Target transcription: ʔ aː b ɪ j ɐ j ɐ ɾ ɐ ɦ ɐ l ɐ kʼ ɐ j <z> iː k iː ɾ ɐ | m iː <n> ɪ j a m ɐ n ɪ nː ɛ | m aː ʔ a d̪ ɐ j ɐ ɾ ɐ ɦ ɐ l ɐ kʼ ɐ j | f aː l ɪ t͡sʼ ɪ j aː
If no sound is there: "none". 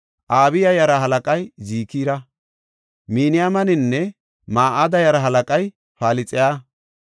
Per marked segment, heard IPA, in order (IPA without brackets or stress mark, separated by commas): z, n